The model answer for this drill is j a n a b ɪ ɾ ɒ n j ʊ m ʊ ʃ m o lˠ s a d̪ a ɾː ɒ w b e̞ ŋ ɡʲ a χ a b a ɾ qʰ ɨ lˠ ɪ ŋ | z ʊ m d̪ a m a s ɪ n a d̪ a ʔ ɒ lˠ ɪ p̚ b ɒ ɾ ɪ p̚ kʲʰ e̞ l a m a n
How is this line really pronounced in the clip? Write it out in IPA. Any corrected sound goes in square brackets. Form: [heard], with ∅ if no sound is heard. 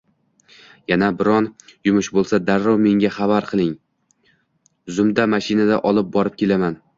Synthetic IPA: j a n a b ɪ ɾ ɒ n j ʊ m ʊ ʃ [b] o lˠ s a d̪ a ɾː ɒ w [m] e̞ ŋ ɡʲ a χ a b a ɾ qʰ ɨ lˠ ɪ ŋ | z ʊ m d̪ a m a [ʃ] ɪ n a d̪ a ʔ ɒ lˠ ɪ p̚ b ɒ ɾ ɪ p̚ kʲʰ e̞ l a m a n